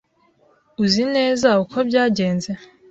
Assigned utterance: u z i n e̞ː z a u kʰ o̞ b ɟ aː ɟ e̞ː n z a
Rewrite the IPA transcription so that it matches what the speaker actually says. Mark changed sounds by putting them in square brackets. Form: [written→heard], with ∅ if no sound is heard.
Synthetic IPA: u z i n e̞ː z a u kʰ o̞ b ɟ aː ɟ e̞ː n z [a→e]